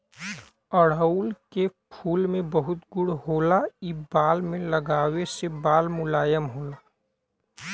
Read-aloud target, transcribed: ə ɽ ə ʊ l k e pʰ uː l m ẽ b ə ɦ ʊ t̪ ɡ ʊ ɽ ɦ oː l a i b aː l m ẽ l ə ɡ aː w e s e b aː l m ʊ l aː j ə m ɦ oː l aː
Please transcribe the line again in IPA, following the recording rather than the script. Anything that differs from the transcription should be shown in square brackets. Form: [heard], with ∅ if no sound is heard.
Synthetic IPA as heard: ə ɽ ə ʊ l k e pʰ uː l m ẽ b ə ɦ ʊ t̪ ɡ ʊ ɽ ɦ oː l a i b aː l m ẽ l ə ɡ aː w e s e b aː l m ʊ l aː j ə m ɦ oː l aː

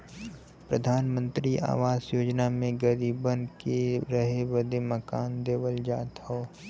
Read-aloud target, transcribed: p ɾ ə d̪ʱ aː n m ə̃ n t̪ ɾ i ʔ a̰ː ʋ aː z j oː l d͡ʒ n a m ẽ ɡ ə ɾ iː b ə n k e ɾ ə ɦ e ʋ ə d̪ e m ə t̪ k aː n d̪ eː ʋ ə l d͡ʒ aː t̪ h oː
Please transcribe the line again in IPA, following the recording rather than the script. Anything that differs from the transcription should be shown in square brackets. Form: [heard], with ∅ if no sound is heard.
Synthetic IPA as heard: p ɾ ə d̪ʱ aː n m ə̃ n t̪ ɾ i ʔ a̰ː ʋ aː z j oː [∅] d͡ʒ n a m ẽ ɡ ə ɾ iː b ə n k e ɾ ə ɦ e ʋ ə d̪ e m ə [∅] k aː n d̪ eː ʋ ə l d͡ʒ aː t̪ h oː

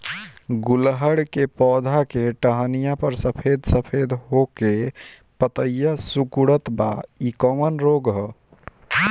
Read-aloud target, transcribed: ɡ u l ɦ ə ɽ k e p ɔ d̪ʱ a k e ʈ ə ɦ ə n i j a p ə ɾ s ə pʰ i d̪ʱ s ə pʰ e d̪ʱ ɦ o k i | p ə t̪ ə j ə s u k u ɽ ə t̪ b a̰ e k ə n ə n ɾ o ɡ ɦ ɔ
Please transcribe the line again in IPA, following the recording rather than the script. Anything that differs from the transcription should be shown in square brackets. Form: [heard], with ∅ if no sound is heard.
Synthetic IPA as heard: ɡ u l ɦ ə ɽ k e p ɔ d̪ʱ a k e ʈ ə ɦ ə n i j a p ə ɾ s ə pʰ [e] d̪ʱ s ə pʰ e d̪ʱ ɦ o k [e] | p ə t̪ ə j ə s u k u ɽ ə t̪ b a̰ [i] k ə [m] ə n ɾ o ɡ ɦ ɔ

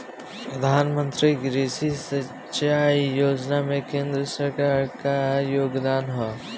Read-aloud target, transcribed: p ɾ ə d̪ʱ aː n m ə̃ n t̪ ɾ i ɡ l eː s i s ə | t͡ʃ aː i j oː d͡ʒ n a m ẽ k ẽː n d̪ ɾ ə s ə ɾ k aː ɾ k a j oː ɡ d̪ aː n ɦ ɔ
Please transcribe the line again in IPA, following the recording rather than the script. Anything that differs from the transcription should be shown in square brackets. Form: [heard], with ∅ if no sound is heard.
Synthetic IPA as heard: p ɾ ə d̪ʱ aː n m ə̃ n t̪ ɾ i ɡ [ɾ] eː s i s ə | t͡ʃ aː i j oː d͡ʒ n a m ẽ k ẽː n d̪ ɾ ə s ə ɾ k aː ɾ k a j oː ɡ d̪ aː n ɦ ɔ

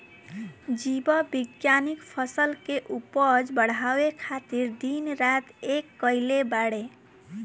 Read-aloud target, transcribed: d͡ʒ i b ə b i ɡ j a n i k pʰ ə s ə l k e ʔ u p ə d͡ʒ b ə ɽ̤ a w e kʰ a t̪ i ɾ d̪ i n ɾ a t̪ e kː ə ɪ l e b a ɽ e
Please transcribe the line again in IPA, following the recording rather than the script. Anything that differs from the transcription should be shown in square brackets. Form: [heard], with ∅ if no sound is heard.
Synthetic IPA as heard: d͡ʒ i b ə b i ɡ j a n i k pʰ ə s ə l k e ʔ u p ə d͡ʒ b ə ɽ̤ a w e kʰ a t̪ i ɾ d̪ i n ɾ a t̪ e kː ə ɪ l e b a ɽ e

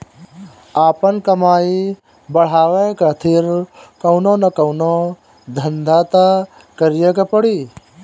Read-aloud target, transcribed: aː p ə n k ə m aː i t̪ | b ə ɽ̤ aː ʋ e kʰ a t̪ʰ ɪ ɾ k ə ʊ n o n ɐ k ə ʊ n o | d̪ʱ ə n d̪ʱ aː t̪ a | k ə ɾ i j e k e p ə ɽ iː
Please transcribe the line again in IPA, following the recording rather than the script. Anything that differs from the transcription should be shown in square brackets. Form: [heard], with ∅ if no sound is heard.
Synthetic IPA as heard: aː p ə n k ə m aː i [∅] | b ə ɽ̤ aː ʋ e [k] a t̪ʰ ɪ ɾ k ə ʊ n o n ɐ k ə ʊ n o | d̪ʱ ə n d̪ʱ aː t̪ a | k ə ɾ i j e k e p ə ɽ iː

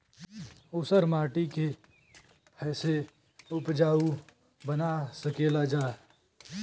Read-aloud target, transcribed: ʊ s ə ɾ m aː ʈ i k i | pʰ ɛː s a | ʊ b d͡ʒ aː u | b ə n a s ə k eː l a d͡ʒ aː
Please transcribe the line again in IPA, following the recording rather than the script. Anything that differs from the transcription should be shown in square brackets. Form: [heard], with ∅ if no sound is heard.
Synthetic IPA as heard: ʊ s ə ɾ m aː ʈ i k [e] | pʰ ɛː s [e] | ʊ [p] d͡ʒ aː u | b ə n a s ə k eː l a d͡ʒ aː

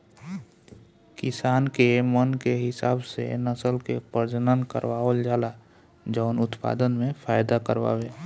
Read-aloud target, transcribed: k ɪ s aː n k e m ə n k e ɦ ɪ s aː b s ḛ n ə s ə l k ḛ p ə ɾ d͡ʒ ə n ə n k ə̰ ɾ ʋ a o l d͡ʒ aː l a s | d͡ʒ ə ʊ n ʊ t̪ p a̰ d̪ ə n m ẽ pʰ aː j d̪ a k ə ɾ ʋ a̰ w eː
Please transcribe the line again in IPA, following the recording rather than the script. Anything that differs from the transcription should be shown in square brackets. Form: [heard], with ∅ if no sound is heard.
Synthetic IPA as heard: k ɪ s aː n k e m ə n k e ɦ ɪ s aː b s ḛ n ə s ə l k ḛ p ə ɾ d͡ʒ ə n ə n k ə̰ ɾ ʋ a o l d͡ʒ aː l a [∅] | d͡ʒ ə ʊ n ʊ t̪ p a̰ d̪ ə n m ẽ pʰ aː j d̪ a k ə ɾ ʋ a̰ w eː

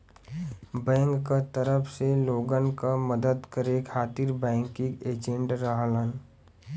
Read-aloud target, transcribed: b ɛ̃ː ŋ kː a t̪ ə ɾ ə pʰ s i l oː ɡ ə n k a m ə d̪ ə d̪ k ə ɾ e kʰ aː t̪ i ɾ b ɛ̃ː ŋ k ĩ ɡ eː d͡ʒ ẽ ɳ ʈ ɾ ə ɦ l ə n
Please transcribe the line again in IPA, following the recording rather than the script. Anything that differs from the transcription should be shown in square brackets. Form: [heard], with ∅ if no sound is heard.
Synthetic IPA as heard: b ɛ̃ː ŋ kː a t̪ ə ɾ ə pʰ s [e] l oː ɡ ə n k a m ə d̪ ə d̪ k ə ɾ e kʰ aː t̪ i ɾ b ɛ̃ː ŋ k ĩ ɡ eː d͡ʒ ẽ ɳ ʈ ɾ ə ɦ l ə n

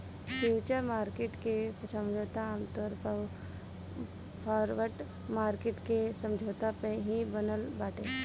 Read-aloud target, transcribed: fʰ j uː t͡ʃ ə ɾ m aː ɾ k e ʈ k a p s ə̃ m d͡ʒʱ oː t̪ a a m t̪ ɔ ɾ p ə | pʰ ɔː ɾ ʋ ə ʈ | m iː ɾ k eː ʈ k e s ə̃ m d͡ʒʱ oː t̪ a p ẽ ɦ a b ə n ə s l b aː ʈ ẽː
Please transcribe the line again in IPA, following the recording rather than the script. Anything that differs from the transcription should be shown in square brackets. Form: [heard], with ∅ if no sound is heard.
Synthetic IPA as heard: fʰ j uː t͡ʃ ə ɾ m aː ɾ k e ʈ k [e] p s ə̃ m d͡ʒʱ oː t̪ a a m t̪ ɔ ɾ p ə | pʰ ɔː ɾ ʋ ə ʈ | m [aː] ɾ k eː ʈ k e s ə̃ m d͡ʒʱ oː t̪ a p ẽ ɦ [i] b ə n ə [∅] l b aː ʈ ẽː

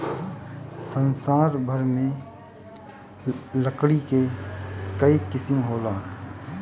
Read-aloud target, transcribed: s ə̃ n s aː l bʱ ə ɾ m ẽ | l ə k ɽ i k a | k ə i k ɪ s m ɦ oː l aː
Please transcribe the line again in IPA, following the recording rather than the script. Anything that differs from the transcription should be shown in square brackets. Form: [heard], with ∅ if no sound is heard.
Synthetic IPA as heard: s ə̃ n s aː [ɾ] bʱ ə ɾ m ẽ | l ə k ɽ i k [e] | k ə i k ɪ s m ɦ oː l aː

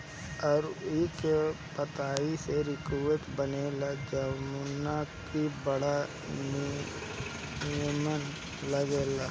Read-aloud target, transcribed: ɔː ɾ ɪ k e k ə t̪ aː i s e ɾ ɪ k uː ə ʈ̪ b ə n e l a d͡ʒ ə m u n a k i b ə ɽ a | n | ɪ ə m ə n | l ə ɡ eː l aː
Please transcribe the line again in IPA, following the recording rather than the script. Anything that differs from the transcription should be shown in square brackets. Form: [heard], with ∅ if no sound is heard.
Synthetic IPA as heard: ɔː ɾ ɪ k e [p] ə t̪ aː i s e ɾ ɪ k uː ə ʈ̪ b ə n e l a d͡ʒ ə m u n a k i b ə ɽ a | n | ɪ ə m ə n | l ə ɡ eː l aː

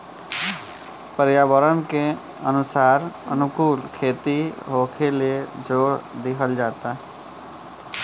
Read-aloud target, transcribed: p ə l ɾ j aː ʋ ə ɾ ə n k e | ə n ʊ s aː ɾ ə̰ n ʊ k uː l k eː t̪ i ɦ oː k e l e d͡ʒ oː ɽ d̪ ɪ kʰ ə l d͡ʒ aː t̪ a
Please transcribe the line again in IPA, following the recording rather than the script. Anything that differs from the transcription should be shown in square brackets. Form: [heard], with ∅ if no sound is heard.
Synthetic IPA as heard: p ə [∅] ɾ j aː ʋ ə ɾ ə n k e | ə n ʊ s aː ɾ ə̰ n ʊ k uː l [kʰ] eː t̪ i ɦ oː [kʰ] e l e d͡ʒ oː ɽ d̪ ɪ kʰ ə l d͡ʒ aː t̪ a

